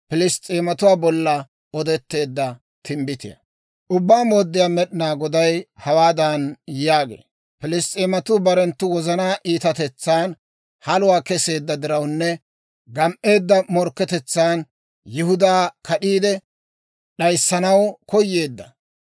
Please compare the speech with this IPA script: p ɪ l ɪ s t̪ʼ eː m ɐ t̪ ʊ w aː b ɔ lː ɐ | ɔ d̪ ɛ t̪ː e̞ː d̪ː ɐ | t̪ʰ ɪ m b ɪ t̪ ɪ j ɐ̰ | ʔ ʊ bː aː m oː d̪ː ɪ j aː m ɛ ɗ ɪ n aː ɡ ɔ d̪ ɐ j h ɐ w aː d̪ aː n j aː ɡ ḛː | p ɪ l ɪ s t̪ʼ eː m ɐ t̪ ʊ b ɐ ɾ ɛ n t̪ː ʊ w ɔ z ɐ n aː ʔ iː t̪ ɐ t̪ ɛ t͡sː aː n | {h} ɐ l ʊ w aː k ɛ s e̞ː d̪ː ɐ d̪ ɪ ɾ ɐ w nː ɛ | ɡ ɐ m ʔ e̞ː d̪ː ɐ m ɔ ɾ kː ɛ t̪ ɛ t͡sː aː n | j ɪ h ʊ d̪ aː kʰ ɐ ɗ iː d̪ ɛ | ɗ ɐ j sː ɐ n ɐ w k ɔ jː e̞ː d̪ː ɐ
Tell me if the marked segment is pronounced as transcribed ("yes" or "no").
yes